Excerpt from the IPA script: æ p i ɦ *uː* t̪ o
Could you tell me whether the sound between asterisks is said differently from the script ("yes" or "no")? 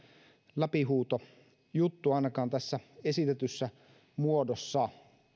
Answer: no